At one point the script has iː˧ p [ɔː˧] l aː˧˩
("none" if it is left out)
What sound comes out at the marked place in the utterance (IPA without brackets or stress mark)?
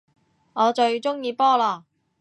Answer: ɔː˥